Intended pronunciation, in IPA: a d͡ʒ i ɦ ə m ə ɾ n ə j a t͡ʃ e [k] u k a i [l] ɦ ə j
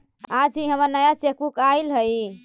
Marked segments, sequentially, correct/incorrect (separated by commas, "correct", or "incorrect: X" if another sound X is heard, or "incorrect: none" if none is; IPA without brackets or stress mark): correct, correct